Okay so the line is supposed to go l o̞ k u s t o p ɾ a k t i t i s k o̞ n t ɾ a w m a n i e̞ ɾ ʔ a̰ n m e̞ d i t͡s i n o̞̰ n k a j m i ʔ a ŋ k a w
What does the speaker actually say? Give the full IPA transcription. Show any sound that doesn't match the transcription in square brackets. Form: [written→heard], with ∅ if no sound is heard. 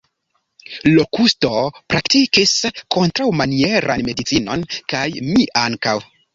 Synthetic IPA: l o̞ k u s t o p ɾ a k t i [t→k] i s k o̞ n t ɾ a w m a n i e̞ ɾ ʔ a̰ n m e̞ d i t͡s i n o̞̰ n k a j m i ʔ a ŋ k a w